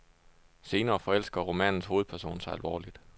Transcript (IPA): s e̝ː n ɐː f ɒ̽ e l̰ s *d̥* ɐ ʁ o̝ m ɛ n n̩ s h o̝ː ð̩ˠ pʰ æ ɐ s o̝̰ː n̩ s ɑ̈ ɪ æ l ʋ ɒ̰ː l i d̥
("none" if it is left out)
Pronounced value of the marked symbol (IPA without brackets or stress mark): ɡ̥